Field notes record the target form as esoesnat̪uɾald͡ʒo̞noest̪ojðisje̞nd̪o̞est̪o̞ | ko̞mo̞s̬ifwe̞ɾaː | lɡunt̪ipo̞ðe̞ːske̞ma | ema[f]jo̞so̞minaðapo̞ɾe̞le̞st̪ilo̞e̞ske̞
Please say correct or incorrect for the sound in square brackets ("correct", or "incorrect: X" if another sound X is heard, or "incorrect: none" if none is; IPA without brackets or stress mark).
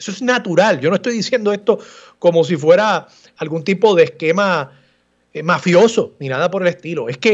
correct